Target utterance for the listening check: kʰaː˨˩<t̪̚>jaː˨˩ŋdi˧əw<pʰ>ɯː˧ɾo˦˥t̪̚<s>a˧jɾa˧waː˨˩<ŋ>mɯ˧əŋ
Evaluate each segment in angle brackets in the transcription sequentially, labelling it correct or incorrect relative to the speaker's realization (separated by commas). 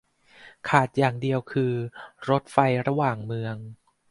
correct, incorrect, incorrect, correct